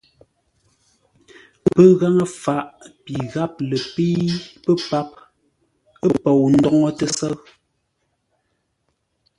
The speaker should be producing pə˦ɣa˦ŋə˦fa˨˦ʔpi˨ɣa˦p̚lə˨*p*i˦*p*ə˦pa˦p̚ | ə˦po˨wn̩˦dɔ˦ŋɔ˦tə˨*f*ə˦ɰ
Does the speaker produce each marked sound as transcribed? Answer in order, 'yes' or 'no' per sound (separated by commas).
yes, yes, no